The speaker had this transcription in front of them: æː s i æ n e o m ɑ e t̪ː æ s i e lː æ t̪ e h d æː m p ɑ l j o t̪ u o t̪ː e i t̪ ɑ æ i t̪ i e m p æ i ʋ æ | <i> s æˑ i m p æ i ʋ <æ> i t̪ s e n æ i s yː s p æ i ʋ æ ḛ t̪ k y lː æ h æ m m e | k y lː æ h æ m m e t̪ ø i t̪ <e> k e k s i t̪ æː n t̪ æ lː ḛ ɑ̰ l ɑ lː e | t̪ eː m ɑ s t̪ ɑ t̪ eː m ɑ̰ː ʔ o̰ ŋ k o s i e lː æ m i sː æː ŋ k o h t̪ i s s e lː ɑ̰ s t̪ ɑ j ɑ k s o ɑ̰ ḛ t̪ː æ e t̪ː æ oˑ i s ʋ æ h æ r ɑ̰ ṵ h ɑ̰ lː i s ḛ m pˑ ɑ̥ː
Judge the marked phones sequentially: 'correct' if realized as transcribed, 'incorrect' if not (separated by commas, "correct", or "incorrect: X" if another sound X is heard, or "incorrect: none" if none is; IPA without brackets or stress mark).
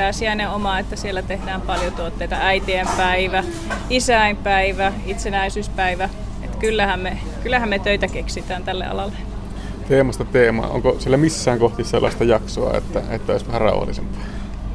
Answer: correct, correct, incorrect: æ